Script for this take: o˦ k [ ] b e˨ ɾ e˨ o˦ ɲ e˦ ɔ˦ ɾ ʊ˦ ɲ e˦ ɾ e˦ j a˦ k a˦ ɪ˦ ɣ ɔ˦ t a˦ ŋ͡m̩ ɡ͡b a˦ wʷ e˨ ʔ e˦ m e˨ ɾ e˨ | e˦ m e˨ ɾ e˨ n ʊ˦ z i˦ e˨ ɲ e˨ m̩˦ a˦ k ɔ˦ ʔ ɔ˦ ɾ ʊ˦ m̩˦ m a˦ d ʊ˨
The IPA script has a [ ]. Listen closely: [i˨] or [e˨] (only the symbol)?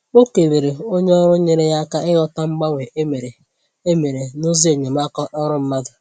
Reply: e˨